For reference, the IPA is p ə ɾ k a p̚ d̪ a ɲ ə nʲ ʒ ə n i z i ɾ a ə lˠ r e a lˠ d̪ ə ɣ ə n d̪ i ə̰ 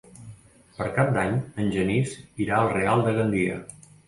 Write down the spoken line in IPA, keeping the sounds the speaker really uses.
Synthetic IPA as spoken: p ə ɾ k a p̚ d̪ a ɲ ə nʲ ʒ ə n i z i ɾ a ə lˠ r e a lˠ d̪ ə ɣ ə n d̪ i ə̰